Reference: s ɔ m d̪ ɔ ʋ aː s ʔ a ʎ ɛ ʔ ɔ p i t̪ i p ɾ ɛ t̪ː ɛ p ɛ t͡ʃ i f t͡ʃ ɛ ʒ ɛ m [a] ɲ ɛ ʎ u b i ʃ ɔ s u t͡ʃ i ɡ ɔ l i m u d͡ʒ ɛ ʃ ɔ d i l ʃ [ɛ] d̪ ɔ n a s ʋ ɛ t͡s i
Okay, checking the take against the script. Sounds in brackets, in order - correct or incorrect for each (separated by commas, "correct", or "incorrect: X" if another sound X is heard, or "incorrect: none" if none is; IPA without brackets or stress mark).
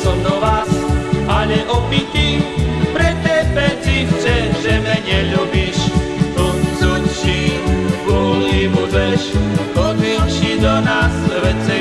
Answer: incorrect: ɛ, incorrect: i